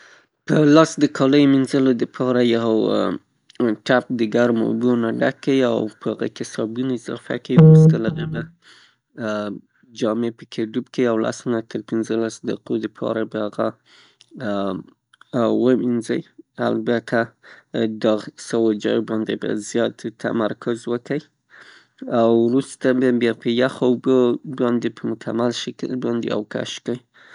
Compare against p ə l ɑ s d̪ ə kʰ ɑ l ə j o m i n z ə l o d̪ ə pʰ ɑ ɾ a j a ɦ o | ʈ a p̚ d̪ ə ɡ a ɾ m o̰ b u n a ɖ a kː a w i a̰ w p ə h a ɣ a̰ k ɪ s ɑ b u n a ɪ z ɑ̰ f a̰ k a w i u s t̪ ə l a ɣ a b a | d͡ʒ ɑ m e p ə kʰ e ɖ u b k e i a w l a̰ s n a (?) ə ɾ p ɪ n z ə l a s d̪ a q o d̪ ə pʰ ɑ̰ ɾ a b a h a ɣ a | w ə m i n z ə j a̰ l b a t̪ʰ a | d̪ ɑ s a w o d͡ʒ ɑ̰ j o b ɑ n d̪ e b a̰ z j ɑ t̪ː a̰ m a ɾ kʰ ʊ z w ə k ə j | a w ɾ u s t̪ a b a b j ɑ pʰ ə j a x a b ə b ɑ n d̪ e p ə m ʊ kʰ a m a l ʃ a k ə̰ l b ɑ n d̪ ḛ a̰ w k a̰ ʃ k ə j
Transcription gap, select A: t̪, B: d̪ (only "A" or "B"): A